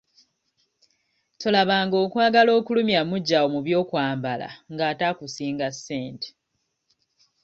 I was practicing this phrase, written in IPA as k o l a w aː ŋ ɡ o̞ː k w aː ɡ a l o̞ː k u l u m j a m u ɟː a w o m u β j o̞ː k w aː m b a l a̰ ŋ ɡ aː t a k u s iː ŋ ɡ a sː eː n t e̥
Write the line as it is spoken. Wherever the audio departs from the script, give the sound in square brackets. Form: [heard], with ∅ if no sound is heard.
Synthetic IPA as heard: [t] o l a [β] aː ŋ ɡ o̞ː k w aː ɡ a l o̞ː k u l u m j a m u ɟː a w o m u β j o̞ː k w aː m b a l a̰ ŋ ɡ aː t a k u s iː ŋ ɡ a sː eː n t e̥

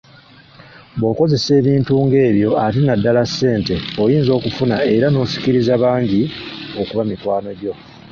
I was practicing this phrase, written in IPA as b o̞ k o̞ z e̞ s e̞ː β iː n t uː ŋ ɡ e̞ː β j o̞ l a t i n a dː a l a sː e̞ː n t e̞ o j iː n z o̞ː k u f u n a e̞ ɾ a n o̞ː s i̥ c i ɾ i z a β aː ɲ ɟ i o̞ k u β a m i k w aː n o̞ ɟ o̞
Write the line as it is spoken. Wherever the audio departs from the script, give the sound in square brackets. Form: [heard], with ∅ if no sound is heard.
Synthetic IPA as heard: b o̞ k o̞ z e̞ s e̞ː β iː n t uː ŋ ɡ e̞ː β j o̞ [∅] a t i n a dː a l a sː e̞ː n t e̞ o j iː n z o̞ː k u f u n a e̞ ɾ a n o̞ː s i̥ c i ɾ i z a β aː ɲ ɟ i o̞ k u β a m i k w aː n o̞ ɟ o̞

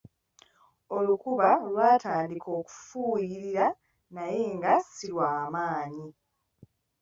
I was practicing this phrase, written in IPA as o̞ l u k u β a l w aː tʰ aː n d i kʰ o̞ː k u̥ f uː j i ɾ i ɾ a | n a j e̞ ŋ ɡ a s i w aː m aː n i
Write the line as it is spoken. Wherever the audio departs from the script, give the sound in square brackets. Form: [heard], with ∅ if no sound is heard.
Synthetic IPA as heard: o̞ l u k u β a l w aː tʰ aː n d i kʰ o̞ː k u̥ f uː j i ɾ i ɾ a | n a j e̞ ŋ ɡ a s i w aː m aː [ɲ] i

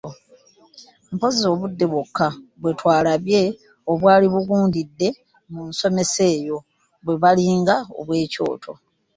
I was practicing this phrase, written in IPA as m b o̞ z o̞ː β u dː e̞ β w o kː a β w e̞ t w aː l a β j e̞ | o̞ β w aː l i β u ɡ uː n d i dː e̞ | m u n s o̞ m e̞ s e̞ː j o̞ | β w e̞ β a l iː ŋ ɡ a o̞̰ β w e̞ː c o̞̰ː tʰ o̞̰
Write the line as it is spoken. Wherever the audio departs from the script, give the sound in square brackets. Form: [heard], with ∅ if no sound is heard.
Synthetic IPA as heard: m [p] o̞ z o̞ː β u dː e̞ β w o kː a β w e̞ t w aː l a β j e̞ | o̞ β w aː l i β u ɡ uː n d i dː e̞ | m u n s o̞ m e̞ s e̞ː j o̞ | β w e̞ β a l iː ŋ ɡ a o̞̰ β w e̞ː c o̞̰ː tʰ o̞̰

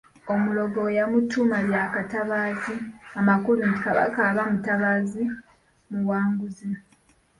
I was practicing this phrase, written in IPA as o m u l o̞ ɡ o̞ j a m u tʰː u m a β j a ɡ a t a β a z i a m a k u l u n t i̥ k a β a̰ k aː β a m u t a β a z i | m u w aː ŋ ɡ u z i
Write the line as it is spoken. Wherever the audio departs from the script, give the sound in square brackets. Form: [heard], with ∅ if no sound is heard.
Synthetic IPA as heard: o m u l o̞ ɡ o̞ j a m u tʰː u m a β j a [k] a t a β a z i a m a k u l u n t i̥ k a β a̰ k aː β a m u t a β a z i | m u w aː ŋ ɡ u z i

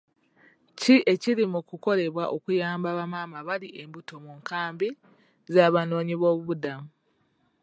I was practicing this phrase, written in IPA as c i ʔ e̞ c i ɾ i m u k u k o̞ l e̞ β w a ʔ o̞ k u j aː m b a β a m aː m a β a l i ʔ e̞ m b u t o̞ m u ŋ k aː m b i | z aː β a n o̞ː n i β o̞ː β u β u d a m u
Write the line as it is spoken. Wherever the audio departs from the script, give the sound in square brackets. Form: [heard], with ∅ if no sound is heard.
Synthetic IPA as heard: c i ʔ e̞ c i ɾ i m u k u k o̞ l e̞ β w a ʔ o̞ k u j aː m b a β a m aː m a β a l i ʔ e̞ m b u t o̞ m u ŋ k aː m b i | z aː β a n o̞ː [ɲ] i β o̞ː β u β u d a m u

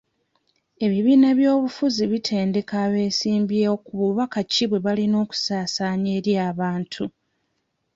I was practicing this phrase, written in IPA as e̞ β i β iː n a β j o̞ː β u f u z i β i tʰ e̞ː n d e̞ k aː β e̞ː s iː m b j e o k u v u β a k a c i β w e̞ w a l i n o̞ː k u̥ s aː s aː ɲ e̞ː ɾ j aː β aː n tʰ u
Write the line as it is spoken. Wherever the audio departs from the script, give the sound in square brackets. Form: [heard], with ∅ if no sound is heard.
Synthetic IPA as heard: e̞ β i β iː n a β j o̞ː β u f u z i β i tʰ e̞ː n d e̞ k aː β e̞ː s iː m b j e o k u [β] u β a k a c i β w e̞ [β] a l i n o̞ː k u̥ s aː s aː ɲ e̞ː ɾ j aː β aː n tʰ u

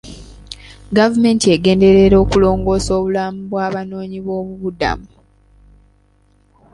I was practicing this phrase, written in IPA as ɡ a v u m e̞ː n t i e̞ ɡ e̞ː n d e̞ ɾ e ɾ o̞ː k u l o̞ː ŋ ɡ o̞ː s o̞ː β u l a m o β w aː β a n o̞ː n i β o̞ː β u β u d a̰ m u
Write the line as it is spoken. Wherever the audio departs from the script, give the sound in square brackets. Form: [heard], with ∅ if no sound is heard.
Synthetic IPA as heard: ɡ a v u m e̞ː n t i e̞ ɡ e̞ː n d e̞ ɾ e ɾ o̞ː k u l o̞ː ŋ ɡ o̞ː s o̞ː β u l a m [u] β w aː β a n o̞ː [ɲ] i β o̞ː β u β u d a̰ m u

